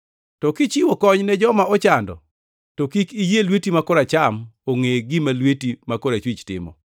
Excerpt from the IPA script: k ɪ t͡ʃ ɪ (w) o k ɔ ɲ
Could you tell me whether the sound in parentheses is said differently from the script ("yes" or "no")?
no